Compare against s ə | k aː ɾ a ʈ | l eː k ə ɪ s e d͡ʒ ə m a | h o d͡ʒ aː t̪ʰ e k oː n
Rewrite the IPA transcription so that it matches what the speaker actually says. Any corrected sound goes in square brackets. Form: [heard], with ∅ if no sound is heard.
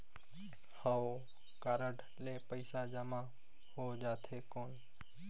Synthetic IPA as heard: [h] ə | k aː ɾ [ə] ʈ | l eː [p] ə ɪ s [a] d͡ʒ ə m a | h o d͡ʒ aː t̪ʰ e k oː n